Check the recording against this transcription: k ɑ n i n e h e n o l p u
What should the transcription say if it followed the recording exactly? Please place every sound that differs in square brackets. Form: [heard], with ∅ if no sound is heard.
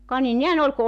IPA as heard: k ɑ n i n e h [æ] n o l [k] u